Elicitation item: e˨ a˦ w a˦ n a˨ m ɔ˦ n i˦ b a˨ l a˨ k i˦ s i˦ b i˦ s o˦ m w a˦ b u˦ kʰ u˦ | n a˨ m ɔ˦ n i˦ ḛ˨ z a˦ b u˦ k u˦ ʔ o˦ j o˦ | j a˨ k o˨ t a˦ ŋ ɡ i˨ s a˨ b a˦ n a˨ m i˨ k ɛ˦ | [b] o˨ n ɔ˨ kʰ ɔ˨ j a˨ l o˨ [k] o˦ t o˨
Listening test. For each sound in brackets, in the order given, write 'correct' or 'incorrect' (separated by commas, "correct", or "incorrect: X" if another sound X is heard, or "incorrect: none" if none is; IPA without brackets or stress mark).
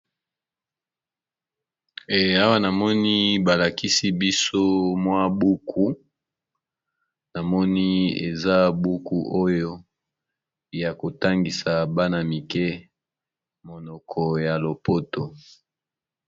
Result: incorrect: m, incorrect: p